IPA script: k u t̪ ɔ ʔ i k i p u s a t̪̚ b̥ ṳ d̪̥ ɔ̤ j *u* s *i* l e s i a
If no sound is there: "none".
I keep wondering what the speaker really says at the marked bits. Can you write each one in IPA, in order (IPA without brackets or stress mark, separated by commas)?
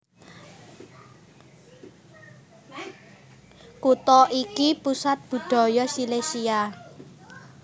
ɔ, i